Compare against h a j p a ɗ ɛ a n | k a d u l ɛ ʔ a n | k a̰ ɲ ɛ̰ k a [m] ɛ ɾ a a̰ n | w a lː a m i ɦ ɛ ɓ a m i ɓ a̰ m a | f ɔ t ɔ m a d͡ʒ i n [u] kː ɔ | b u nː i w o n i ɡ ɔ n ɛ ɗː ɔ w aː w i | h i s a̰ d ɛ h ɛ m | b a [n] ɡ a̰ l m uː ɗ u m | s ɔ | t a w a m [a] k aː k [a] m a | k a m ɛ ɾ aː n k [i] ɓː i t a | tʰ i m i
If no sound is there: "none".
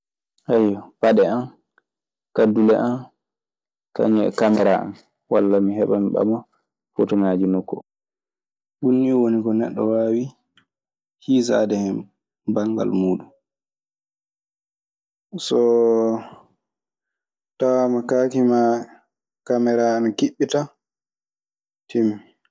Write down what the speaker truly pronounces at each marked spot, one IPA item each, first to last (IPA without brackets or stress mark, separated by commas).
m, ɔ, ŋ, a, i, i